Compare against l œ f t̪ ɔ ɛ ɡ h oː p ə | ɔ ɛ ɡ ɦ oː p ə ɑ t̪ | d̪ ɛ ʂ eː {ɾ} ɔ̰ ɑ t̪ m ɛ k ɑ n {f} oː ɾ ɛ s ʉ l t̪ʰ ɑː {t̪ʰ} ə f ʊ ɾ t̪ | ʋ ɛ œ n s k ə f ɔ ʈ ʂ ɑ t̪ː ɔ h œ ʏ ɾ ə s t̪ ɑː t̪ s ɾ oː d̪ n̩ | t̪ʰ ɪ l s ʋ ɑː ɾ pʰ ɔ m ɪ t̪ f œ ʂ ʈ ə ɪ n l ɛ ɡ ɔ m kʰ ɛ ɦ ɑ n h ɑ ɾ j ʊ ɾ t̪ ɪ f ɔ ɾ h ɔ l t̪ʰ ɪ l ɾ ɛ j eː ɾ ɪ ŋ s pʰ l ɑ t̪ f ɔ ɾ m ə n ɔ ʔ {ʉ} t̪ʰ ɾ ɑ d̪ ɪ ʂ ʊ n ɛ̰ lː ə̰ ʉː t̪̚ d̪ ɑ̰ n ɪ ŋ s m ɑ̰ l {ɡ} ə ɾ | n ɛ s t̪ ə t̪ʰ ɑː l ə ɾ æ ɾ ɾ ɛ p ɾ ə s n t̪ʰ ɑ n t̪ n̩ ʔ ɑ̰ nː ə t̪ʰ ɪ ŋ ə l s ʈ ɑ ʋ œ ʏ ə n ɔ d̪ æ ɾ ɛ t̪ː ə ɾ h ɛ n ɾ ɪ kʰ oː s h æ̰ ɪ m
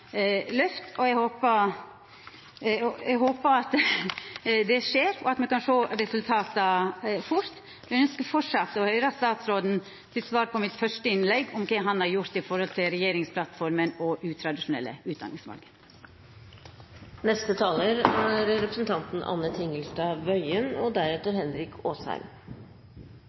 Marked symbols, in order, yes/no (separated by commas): yes, no, no, no, yes